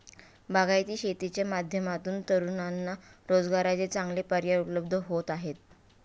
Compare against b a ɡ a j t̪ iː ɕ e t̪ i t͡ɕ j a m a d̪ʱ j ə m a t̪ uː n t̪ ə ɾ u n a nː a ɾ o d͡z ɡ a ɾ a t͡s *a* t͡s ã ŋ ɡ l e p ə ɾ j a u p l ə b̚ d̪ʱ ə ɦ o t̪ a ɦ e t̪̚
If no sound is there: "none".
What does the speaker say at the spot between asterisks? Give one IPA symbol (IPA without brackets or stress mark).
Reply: e